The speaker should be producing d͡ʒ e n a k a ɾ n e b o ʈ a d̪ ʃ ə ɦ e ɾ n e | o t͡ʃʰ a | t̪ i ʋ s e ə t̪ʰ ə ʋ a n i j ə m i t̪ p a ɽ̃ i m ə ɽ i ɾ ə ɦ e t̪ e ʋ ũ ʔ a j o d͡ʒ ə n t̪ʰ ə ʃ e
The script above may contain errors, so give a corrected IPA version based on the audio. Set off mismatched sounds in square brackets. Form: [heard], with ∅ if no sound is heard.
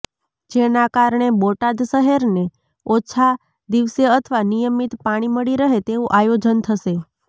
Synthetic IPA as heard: d͡ʒ e n a k a ɾ [ɳ] e b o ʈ a d̪ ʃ ə ɦ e ɾ n e | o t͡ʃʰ a | [d̪] i ʋ s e ə t̪ʰ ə ʋ a n i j ə m i t̪ p a ɽ̃ i m ə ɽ i ɾ ə ɦ e t̪ e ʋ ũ ʔ a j o d͡ʒ ə n t̪ʰ ə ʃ e

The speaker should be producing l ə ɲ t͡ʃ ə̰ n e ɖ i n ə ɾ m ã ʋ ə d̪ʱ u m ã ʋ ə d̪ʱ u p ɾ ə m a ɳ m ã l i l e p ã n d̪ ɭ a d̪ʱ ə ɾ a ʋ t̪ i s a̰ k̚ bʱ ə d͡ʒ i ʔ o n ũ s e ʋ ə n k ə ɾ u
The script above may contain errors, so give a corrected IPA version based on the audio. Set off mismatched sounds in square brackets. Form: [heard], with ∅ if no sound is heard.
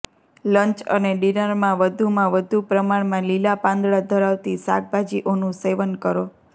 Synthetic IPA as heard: l ə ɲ t͡ʃ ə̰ n e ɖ i n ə ɾ m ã ʋ ə d̪ʱ u m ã ʋ ə d̪ʱ u p ɾ ə m a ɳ m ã l i l [a] p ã n d̪ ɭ a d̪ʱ ə ɾ a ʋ t̪ i s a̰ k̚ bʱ [a] d͡ʒ i ʔ o n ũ s e ʋ ə n k ə ɾ [o]

